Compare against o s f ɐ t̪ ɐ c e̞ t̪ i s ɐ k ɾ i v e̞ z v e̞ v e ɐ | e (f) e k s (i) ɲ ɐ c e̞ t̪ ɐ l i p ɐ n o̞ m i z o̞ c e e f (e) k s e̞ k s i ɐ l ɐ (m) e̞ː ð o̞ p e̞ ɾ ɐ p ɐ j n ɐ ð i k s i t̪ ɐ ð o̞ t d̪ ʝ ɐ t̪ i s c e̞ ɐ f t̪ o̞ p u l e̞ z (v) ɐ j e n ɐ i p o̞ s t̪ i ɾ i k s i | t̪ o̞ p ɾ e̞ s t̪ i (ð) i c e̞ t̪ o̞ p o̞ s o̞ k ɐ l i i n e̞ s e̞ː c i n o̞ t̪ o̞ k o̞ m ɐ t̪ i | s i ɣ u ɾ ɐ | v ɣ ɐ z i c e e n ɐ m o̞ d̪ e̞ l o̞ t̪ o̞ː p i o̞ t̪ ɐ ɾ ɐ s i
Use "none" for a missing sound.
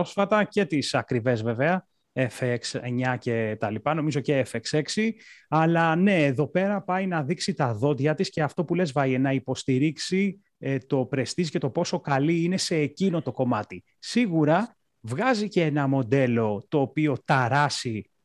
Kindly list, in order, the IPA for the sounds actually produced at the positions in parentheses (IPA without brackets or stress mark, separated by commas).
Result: f, e, e, n, v, z